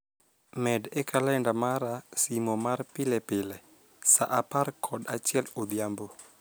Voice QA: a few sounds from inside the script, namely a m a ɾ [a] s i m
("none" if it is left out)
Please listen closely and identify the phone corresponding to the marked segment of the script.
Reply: a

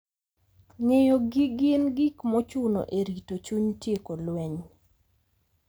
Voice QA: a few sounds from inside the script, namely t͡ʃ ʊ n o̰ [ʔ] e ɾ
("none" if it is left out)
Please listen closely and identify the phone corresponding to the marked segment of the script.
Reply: ʔ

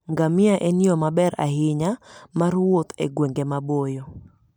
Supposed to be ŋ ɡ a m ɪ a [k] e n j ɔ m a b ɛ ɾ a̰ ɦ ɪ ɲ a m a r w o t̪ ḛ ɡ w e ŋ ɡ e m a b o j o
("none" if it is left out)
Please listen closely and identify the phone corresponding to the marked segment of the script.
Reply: ʔ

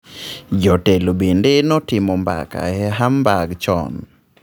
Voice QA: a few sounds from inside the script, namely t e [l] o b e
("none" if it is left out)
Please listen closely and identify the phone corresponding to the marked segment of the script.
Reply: l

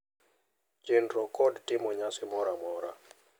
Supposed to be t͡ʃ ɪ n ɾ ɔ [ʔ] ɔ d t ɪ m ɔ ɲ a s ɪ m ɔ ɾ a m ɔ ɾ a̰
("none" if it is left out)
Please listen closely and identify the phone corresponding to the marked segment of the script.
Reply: k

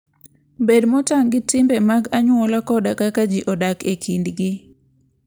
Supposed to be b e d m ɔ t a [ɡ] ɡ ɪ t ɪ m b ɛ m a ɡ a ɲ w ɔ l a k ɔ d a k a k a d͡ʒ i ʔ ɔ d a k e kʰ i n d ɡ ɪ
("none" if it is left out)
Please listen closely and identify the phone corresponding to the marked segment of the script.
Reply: ŋ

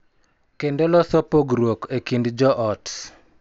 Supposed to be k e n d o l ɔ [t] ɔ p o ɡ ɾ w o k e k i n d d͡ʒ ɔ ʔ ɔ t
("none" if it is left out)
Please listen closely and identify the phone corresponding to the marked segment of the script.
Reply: s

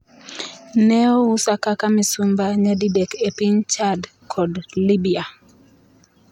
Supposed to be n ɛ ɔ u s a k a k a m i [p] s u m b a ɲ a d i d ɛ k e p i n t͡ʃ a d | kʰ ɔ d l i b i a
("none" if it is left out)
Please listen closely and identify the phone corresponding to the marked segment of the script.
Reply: none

